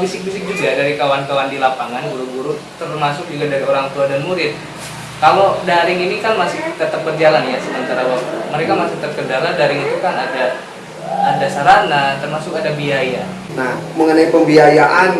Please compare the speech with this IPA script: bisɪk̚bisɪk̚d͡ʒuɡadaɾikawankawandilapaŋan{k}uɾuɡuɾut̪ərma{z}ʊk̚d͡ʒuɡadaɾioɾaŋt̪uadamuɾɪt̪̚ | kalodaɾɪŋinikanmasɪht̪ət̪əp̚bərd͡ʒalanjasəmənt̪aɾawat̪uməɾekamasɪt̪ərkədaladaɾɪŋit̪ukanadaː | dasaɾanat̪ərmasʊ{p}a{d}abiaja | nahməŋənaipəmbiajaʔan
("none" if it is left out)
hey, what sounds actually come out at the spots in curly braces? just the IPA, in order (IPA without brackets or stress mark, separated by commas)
ɡ, s, k, d